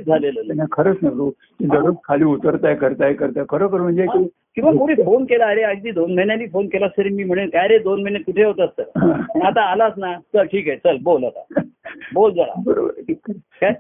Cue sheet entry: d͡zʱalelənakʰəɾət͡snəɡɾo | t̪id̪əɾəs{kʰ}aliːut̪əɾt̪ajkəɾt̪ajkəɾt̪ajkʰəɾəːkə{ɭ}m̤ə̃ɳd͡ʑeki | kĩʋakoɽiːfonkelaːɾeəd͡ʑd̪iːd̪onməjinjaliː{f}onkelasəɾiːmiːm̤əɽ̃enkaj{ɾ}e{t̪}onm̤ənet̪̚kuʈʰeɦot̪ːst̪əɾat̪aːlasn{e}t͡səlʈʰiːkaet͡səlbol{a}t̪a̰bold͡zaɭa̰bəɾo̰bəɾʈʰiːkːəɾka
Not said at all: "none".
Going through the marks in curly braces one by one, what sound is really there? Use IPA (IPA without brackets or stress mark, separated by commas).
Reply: kʰ, ɾ, f, ɾ, d̪, a, a